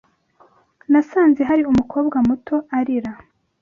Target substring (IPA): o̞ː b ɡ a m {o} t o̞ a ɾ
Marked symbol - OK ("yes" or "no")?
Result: no